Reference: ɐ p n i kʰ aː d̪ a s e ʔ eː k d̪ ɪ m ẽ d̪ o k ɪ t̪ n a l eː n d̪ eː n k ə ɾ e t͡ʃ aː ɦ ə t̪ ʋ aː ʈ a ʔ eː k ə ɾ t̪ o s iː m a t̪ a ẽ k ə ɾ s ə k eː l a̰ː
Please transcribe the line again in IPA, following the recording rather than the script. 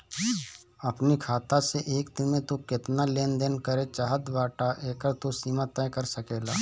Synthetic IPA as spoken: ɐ p n i kʰ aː t̪ a s e ʔ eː k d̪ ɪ m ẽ t̪ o k ɪ t̪ n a l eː n d̪ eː n k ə ɾ e t͡ʃ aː ɦ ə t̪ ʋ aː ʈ a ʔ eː k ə ɾ t̪ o s iː m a t̪ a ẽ k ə ɾ s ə k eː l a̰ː